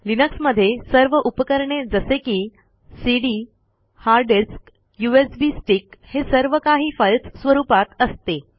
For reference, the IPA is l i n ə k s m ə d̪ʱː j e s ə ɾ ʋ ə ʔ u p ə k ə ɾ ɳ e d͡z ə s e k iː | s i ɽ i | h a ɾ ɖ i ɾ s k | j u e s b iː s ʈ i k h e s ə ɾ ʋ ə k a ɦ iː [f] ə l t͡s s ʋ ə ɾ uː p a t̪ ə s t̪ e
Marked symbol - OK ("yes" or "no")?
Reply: yes